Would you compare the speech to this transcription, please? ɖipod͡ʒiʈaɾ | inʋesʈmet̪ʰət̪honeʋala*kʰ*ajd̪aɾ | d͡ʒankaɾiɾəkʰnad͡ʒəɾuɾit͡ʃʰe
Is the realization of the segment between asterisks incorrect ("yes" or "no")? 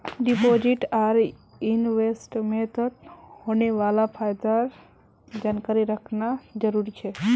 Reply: yes